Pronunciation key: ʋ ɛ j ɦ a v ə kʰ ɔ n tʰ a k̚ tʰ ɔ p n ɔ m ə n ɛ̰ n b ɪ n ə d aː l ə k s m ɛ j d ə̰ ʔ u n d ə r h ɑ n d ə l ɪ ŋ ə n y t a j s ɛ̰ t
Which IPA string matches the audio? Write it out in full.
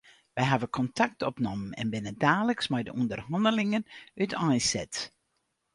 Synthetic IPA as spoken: ʋ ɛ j ɦ a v ə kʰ ɔ n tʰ a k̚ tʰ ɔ p n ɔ m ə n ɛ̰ n b ɪ n ə d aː l ə k s m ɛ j d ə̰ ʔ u n d ə r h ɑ n d ə l ɪ ŋ ə n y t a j s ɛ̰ t